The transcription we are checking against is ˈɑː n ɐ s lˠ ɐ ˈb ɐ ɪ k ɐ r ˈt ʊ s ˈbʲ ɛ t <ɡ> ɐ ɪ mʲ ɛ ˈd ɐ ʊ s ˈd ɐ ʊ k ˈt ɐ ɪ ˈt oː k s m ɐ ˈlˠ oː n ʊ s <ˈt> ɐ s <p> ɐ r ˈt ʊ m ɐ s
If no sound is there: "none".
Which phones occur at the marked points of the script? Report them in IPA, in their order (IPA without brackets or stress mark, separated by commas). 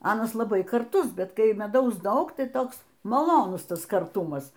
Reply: k, t, k